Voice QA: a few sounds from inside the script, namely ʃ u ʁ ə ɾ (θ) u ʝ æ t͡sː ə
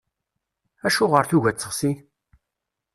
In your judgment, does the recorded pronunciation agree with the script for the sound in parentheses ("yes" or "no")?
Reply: yes